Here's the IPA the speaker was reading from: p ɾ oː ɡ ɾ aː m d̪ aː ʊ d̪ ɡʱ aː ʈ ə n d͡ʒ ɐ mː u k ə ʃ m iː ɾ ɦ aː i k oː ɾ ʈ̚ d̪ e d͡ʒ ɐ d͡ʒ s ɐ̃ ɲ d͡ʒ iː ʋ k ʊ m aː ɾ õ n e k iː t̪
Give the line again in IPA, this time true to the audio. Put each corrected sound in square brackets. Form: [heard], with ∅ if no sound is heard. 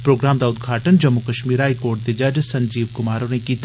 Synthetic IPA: p ɾ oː ɡ ɾ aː m d̪ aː ʊ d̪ ɡʱ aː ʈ ə n d͡ʒ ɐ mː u k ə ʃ m iː ɾ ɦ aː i k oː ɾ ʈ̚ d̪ e d͡ʒ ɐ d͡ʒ s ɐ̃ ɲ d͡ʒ iː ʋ k ʊ m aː ɾ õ n e k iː t̪